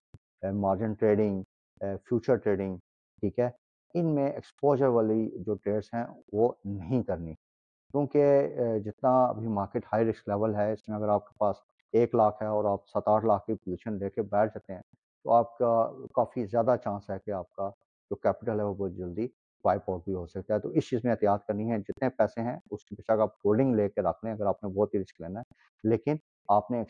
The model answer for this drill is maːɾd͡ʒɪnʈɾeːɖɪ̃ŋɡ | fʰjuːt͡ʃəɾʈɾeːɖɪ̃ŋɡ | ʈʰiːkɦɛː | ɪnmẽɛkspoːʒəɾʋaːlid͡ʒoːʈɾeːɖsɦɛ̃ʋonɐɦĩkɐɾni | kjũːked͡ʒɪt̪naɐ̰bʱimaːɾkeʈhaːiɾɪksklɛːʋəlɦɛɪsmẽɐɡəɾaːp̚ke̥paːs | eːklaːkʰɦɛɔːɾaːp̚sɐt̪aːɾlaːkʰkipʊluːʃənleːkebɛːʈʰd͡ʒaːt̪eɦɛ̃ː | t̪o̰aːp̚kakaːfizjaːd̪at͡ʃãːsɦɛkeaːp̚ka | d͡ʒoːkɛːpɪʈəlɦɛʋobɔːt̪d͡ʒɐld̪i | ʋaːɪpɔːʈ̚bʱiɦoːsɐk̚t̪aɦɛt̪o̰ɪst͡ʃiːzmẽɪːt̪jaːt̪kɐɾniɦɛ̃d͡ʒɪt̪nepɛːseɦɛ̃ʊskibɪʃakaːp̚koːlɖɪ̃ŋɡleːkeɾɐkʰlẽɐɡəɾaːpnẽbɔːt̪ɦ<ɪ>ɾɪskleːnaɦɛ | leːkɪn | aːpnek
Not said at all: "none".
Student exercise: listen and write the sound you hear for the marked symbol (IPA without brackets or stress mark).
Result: i